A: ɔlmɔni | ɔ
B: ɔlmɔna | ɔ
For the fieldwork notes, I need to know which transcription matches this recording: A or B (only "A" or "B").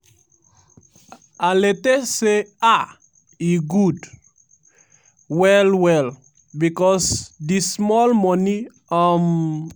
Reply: A